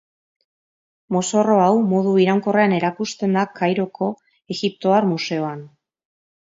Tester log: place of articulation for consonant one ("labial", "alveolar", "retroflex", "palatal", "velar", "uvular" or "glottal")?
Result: labial